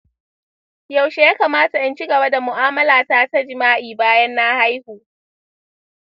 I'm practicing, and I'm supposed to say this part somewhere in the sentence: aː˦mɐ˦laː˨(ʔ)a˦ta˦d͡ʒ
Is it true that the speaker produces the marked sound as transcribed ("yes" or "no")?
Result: no